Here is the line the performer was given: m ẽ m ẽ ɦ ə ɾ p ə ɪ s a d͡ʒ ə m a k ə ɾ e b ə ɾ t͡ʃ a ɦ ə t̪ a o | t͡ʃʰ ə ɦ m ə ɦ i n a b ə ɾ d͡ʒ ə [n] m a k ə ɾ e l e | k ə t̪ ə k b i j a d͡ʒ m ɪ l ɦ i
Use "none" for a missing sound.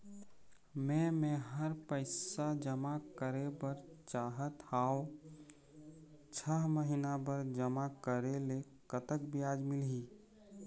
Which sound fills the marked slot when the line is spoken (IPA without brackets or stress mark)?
none